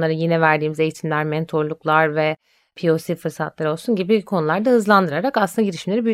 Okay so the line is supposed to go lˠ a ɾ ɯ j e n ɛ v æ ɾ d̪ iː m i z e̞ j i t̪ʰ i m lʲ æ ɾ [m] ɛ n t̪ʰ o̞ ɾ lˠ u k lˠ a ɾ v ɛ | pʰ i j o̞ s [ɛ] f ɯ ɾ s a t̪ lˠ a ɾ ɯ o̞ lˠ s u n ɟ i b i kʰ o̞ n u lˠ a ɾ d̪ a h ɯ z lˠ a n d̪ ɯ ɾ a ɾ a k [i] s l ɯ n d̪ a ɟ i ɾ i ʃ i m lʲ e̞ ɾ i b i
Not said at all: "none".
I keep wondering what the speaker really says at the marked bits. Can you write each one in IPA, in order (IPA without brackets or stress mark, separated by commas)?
m, i, a